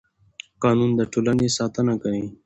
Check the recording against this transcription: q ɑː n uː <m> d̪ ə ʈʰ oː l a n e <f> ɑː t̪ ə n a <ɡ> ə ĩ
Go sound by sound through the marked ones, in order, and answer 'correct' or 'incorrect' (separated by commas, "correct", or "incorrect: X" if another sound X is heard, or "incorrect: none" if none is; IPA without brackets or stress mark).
incorrect: n, incorrect: s, incorrect: k